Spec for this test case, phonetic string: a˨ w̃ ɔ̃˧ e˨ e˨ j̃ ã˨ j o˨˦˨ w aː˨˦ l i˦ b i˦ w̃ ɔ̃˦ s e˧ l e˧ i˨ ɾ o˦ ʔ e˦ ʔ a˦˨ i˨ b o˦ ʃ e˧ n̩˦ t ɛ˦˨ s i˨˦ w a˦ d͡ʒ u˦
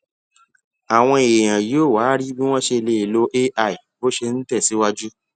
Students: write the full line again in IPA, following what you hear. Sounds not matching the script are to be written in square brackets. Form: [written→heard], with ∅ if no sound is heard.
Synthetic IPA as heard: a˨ w̃ ɔ̃˧ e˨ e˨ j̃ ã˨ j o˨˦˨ w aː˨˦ [l→ɾ] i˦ b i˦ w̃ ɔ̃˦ [s→ʃ] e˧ l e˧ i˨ [ɾ→l] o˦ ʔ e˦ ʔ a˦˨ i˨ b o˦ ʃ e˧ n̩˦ t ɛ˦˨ s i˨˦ w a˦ d͡ʒ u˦